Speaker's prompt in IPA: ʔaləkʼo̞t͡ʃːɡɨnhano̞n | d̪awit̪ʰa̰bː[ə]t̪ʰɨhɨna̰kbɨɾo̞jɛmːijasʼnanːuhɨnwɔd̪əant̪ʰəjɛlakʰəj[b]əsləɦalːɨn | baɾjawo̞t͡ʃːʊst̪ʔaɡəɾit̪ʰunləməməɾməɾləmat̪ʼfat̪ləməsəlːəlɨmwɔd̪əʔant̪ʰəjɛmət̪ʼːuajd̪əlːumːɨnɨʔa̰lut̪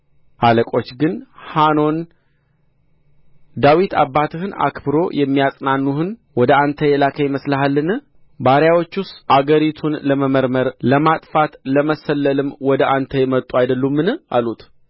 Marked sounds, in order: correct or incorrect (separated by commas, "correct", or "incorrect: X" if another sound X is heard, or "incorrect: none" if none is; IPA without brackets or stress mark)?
incorrect: a, incorrect: m